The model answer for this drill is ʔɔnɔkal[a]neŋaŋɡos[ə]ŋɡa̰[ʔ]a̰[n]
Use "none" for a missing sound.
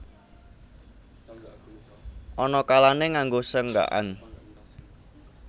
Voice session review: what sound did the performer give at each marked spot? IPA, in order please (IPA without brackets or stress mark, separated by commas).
a, ə, ʔ, n